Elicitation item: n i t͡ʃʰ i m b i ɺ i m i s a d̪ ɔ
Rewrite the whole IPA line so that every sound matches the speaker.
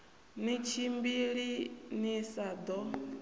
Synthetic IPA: n i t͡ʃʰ i m b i ɺ i n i s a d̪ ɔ